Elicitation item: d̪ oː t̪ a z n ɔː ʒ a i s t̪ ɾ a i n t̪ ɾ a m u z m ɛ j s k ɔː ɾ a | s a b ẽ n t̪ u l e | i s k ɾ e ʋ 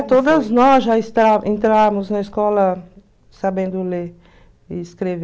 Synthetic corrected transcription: t̪ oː d̪ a z n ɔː ʒ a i s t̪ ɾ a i n t̪ ɾ a m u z n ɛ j s k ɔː l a | s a b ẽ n d̪ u l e | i s k ɾ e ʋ